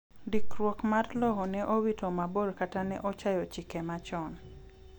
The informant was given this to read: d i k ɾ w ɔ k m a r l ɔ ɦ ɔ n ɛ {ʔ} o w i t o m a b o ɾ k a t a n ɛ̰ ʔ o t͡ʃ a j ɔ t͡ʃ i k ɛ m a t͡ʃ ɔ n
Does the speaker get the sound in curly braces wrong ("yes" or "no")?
no